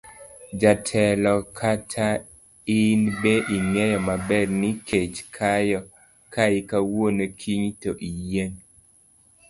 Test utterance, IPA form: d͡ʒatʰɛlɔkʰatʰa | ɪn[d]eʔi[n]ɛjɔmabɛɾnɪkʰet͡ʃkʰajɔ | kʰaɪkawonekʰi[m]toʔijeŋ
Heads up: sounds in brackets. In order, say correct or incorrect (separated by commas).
incorrect, incorrect, incorrect